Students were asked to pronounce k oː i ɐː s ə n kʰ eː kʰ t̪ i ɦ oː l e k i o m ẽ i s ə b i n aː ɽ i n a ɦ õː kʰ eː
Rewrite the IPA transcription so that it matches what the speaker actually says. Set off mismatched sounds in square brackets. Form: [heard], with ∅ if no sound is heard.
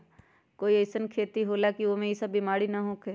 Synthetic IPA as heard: k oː i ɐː s ə n kʰ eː [∅] t̪ i ɦ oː l [a] k i o m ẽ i s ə b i [m] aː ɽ i n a ɦ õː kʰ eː